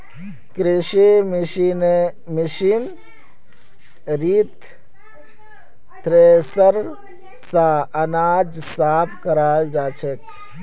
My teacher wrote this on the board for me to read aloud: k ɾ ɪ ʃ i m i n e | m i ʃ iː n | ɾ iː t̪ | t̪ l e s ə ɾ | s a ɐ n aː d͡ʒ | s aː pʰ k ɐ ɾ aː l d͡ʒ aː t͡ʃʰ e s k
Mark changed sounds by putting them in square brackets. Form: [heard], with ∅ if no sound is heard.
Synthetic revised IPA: k ɾ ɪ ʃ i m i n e | m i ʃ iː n | ɾ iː t̪ | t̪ [ɾ] e s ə ɾ | s a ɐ n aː d͡ʒ | s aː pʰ k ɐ ɾ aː l d͡ʒ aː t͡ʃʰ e [∅] k

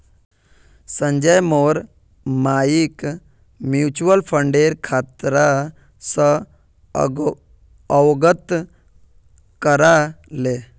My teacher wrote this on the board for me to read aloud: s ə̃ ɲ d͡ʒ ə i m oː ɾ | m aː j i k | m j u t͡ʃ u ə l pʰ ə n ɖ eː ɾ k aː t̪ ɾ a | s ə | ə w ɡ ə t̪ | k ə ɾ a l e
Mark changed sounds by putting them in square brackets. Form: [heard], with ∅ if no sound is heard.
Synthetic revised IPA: s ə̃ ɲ d͡ʒ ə [j] m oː ɾ | m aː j i k | m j u t͡ʃ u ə l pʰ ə [ɳ] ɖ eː ɾ [kʰ] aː t̪ ɾ a | s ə | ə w ɡ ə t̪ | k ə ɾ a l e

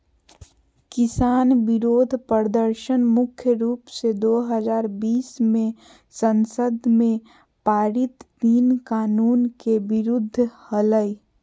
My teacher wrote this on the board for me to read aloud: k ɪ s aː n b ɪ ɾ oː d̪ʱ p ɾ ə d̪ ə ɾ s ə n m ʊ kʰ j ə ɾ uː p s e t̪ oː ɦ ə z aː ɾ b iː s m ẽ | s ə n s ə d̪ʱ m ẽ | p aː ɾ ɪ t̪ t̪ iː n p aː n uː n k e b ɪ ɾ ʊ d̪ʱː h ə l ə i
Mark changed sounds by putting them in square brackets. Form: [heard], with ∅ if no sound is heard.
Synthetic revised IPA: k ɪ s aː n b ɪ ɾ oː d̪ʱ p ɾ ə d̪ ə ɾ [ʃ] ə n m ʊ kʰ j ə ɾ uː p s e [d̪] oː ɦ ə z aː ɾ b iː s m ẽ | s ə n s ə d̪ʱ m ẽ | p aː ɾ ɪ t̪ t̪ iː n [k] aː n uː n k e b ɪ ɾ ʊ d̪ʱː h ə l ə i

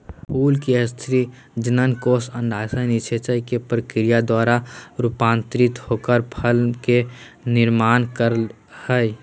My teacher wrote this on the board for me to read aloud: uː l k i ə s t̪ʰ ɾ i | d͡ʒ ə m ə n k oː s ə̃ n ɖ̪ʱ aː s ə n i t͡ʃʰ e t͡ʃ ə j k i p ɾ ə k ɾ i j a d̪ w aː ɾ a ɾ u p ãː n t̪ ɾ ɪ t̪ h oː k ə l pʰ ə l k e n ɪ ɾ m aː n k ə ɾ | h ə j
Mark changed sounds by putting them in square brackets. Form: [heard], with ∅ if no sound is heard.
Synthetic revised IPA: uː l k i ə s t̪ʰ ɾ i | d͡ʒ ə [n] ə n k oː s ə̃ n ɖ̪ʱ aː s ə n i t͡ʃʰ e t͡ʃ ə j k [e] p ɾ ə k ɾ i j a d̪ w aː ɾ a ɾ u p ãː n t̪ ɾ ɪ t̪ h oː k ə [ɾ] pʰ ə l k e n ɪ ɾ m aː n k ə ɾ | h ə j

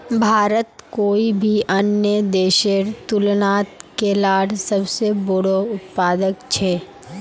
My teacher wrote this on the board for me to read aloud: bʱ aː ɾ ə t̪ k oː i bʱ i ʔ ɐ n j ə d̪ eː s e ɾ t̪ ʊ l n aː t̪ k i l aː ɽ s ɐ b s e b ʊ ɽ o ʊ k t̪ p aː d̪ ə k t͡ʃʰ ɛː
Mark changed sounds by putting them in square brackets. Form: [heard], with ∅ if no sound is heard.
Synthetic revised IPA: bʱ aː ɾ ə t̪ k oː i bʱ i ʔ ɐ n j ə d̪ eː [ʃ] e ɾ t̪ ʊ l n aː t̪ k [e] l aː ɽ s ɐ b s e b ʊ ɽ o ʊ [∅] t̪ p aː d̪ ə k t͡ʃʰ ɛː

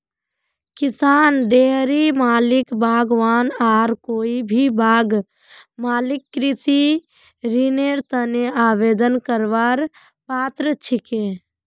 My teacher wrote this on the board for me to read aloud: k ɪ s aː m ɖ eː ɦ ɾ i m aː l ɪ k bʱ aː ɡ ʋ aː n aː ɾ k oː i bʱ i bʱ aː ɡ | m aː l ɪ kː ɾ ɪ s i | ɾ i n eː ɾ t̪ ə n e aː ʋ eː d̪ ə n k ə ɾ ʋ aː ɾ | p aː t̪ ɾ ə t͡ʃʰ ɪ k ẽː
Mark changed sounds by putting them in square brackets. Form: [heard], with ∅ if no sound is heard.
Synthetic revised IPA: k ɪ s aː [n] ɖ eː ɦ ɾ i m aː l ɪ k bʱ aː ɡ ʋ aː n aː ɾ k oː i bʱ i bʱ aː ɡ | m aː l ɪ kː ɾ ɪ s i | ɾ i n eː ɾ t̪ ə n e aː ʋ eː d̪ ə n k ə ɾ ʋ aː ɾ | p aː t̪ ɾ ə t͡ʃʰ ɪ k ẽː

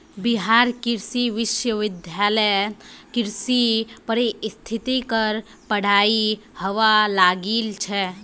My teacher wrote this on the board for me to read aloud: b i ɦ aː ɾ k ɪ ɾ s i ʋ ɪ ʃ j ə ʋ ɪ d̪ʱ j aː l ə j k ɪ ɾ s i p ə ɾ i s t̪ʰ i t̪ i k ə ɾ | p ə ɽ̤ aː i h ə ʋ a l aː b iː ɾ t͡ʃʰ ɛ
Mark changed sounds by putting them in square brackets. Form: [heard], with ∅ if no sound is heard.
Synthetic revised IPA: b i ɦ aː ɾ k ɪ ɾ s i ʋ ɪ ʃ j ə ʋ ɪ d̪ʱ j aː l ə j k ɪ ɾ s i p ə ɾ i s t̪ʰ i t̪ i k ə ɾ | p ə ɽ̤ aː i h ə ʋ a l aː [ɡ] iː [l] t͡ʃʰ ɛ

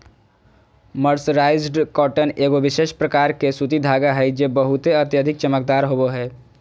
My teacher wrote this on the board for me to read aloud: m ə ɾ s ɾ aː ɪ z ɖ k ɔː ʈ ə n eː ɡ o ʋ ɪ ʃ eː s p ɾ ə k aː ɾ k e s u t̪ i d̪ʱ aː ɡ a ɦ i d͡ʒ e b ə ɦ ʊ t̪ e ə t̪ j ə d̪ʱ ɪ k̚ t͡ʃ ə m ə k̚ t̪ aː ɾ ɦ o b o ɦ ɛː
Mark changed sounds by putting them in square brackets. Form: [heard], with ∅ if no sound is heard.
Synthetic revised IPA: m ə ɾ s ɾ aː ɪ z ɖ k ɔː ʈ ə n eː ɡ o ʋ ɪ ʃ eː [ʃ] p ɾ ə k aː ɾ k e s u t̪ i d̪ʱ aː ɡ a ɦ [ɛ] d͡ʒ e b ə ɦ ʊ t̪ e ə t̪ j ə d̪ʱ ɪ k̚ t͡ʃ ə m ə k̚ [d̪] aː ɾ ɦ o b o ɦ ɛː

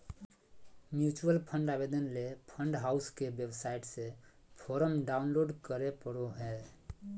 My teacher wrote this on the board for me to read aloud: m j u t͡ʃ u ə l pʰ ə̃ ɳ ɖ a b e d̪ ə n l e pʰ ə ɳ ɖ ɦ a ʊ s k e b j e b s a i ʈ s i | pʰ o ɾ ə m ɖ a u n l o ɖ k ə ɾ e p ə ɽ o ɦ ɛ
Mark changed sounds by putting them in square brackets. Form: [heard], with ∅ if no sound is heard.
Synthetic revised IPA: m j u t͡ʃ u ə l pʰ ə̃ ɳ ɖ a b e d̪ ə n l e pʰ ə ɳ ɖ ɦ a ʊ s k e b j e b s a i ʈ s [e] | pʰ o ɾ ə m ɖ a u n l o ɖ k ə ɾ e p ə ɽ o ɦ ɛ

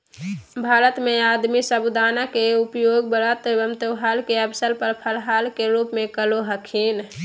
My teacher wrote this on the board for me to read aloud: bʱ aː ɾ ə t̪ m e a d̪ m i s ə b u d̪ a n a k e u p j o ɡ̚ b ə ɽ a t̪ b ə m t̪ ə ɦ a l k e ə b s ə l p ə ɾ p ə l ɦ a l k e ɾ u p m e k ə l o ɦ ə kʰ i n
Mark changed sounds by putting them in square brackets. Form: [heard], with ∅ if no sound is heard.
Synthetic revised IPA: bʱ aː ɾ ə t̪ m e a d̪ m i s ə b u d̪ a n a k e u p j o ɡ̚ b ə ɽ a t̪ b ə m t̪ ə ɦ a l k e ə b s ə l p ə ɾ [pʰ] ə l ɦ a l k e ɾ u p m e k ə l o ɦ ə kʰ i n

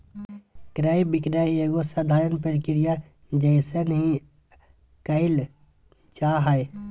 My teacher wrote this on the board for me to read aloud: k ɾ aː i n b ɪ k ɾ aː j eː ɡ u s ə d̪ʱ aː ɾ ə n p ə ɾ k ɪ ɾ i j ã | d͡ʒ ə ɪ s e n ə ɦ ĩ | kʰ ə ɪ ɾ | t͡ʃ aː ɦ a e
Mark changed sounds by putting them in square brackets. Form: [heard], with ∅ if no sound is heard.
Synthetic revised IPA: k ɾ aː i [∅] b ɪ k ɾ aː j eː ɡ [o] s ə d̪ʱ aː ɾ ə n p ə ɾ k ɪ ɾ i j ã | d͡ʒ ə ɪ s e n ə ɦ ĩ | [k] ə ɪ [l] | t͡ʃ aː ɦ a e

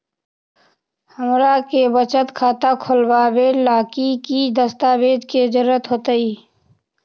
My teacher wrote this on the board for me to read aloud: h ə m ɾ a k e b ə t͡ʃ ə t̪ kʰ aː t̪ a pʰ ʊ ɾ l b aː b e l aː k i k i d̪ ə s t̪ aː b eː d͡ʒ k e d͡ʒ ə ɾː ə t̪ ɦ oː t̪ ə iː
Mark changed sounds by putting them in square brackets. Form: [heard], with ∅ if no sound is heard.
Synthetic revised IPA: h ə m ɾ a k e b ə t͡ʃ ə t̪ kʰ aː t̪ a [kʰ] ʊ [∅] l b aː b e l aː k i k i d̪ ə s t̪ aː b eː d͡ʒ k e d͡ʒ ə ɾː ə t̪ ɦ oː t̪ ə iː

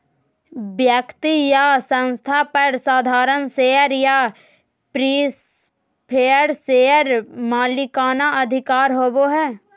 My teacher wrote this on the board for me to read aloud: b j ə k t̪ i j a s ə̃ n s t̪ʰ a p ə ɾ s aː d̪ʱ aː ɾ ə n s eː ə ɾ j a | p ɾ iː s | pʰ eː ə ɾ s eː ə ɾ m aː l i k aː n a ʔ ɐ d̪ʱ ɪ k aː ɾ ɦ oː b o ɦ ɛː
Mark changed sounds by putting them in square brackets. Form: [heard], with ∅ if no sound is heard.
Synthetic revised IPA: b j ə k t̪ i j a s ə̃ n s t̪ʰ a p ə ɾ s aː d̪ʱ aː ɾ ə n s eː ə ɾ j a | p ɾ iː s | pʰ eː ə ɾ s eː ə ɾ m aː l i k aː n a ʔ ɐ d̪ʱ ɪ k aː ɾ ɦ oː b o ɦ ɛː

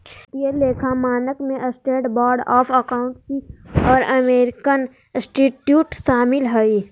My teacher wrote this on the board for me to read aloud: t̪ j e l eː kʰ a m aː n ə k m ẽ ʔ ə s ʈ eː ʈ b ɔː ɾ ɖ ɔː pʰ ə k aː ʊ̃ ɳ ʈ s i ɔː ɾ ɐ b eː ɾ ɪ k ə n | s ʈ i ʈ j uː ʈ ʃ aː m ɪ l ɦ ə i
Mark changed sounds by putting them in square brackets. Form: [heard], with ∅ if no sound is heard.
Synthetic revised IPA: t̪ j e l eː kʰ a m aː n ə k m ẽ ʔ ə s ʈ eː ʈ b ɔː ɾ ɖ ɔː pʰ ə k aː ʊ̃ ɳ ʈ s i ɔː ɾ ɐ [m] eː ɾ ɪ k ə n | s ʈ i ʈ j uː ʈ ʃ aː m ɪ l ɦ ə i

